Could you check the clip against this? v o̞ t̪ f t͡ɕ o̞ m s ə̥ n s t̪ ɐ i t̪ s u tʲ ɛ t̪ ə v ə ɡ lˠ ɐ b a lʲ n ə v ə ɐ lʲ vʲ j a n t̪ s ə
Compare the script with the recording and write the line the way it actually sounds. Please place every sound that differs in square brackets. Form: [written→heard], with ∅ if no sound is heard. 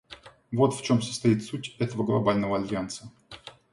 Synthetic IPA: v o̞ t̪ f t͡ɕ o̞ m s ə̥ [n→∅] s t̪ ɐ i t̪ s u tʲ ɛ t̪ ə v ə ɡ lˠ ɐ b a lʲ n ə v ə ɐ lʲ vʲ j a n t̪ s ə